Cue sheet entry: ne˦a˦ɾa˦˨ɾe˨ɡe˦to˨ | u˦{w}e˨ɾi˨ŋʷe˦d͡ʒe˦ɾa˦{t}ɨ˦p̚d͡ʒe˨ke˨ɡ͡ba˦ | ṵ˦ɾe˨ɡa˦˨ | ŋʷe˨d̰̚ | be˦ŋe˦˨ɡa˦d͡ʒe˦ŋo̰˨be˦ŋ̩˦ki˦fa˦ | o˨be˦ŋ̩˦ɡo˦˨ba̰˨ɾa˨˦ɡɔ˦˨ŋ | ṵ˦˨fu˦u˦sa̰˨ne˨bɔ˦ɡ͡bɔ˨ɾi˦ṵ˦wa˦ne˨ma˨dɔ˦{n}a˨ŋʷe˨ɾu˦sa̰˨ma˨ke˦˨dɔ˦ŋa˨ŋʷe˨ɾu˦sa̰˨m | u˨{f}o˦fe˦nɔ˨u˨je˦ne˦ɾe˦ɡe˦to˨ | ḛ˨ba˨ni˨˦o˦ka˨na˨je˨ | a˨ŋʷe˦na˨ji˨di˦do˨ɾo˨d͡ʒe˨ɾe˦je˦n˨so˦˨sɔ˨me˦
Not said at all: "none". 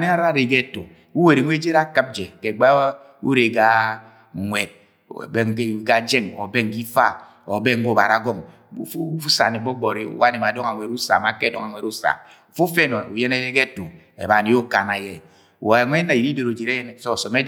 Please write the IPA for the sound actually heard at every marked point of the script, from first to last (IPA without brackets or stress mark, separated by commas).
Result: w, k, ŋ, f